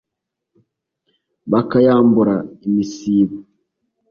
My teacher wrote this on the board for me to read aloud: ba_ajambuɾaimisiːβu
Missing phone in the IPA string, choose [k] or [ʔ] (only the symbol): k